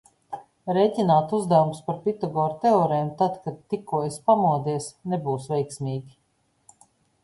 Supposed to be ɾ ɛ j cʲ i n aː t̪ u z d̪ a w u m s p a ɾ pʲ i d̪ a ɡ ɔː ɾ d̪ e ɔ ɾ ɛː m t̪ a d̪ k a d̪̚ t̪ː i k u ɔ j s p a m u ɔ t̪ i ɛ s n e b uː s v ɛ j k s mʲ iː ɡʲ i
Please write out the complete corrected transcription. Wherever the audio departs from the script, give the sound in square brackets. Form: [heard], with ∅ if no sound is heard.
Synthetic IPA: ɾ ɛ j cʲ i n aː t̪ u z d̪ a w u m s p a ɾ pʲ i [t̪] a ɡ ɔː ɾ [t̪] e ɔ ɾ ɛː m t̪ a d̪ k a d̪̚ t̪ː i k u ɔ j s p a m u ɔ [d̪] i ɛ s n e b uː s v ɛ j k s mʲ iː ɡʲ i